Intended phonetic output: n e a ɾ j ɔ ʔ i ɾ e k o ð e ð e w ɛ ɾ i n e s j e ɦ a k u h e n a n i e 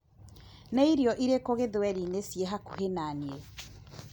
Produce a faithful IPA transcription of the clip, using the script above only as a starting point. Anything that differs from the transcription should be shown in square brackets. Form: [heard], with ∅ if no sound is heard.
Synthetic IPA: n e [i] ɾ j ɔ ʔ i ɾ e k o [ɣ] e ð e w ɛ ɾ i n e s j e ɦ a k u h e n a n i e